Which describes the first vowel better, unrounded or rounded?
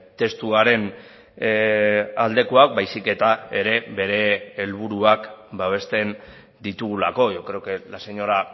unrounded